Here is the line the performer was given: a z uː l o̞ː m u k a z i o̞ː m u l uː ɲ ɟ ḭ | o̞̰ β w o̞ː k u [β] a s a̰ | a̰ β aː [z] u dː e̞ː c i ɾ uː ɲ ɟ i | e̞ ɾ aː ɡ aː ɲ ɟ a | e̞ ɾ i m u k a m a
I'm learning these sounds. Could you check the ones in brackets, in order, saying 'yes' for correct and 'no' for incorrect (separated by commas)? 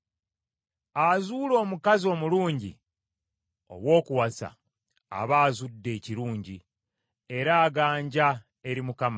no, yes